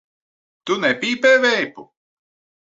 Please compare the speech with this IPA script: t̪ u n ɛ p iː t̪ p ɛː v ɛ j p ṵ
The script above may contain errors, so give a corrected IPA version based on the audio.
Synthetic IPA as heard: t̪ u n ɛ p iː p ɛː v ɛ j p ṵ